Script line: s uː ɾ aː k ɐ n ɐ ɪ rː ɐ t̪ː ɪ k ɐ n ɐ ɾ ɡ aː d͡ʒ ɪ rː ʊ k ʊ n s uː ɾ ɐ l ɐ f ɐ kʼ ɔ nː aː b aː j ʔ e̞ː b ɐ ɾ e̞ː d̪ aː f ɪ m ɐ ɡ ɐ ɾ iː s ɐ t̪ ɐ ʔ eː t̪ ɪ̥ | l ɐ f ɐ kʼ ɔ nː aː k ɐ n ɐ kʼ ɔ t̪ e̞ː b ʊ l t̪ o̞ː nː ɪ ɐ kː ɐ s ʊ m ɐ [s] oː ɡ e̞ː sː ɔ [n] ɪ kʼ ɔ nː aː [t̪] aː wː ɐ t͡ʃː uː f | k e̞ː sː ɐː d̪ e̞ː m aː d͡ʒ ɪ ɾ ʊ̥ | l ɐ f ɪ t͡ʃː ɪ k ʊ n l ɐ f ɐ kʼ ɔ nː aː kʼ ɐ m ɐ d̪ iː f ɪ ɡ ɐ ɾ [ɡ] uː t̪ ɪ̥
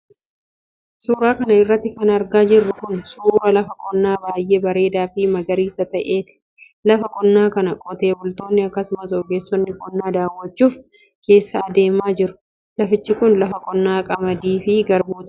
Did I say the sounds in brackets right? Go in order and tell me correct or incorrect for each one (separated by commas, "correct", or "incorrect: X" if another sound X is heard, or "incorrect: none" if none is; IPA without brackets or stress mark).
correct, incorrect: nː, incorrect: d̪, incorrect: b